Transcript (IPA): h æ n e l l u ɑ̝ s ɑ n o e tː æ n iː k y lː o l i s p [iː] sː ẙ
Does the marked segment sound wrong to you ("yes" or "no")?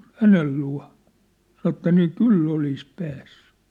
yes